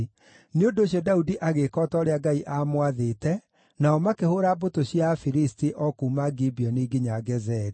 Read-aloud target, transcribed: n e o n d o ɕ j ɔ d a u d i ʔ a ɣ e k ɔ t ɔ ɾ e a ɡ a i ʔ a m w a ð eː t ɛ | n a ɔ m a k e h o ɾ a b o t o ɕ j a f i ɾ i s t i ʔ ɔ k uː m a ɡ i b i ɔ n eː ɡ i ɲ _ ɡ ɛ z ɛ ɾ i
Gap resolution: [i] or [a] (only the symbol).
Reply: a